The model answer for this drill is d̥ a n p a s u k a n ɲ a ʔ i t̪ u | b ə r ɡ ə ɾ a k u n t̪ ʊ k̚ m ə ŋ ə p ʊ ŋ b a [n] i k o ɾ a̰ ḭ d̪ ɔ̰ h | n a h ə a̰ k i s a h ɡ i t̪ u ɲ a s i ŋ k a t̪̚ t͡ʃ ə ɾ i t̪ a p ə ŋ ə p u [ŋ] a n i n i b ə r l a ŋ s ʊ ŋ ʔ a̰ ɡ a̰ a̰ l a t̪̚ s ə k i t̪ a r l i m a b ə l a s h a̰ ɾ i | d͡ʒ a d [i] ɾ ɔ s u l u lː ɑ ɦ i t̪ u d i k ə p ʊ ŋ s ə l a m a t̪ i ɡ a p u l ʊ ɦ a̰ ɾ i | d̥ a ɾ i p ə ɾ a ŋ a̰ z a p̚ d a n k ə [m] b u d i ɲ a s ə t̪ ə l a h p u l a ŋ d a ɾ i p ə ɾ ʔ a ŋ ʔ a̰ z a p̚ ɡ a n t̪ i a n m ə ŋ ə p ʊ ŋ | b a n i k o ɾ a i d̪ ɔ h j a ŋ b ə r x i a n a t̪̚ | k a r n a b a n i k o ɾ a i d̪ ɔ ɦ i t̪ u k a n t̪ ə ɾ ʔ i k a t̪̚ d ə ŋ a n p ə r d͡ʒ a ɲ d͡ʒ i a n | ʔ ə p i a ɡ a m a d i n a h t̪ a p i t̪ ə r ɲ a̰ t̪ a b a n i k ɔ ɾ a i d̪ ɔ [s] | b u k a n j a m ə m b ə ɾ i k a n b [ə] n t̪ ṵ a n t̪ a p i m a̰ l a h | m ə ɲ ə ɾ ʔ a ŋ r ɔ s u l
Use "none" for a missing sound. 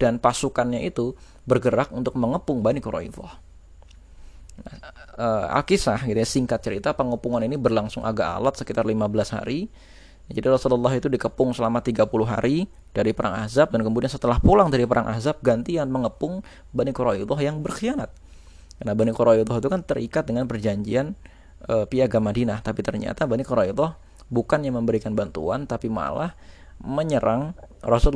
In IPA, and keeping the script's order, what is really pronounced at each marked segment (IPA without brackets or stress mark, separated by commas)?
n, ŋ, i, m, h, a